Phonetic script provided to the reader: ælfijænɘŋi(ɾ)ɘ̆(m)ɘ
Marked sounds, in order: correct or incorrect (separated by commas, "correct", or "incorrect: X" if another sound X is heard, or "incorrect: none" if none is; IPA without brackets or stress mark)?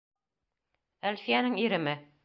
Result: correct, correct